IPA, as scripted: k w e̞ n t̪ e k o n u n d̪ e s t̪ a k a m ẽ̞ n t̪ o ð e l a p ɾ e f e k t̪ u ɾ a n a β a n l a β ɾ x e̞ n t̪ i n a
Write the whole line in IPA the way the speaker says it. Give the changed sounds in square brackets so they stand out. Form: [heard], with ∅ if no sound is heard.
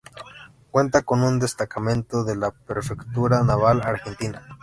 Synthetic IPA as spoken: k w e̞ n t̪ [a] k o n u n d̪ e s t̪ a k a m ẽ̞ n t̪ o ð e l a p ɾ e f e k t̪ u ɾ a n a β a [∅] l a [∅] ɾ x e̞ n t̪ i n a